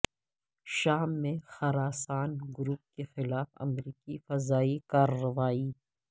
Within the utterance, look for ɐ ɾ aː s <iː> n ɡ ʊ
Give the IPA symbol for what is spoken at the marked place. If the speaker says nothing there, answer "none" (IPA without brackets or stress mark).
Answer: aː